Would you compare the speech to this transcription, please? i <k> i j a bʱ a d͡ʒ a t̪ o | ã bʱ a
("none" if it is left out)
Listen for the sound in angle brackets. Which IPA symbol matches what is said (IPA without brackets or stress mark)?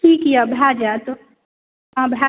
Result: k